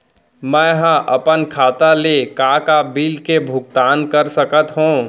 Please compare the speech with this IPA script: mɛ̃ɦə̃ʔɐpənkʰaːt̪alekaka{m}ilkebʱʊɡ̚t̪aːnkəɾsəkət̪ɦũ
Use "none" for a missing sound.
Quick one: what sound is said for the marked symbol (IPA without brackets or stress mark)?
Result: b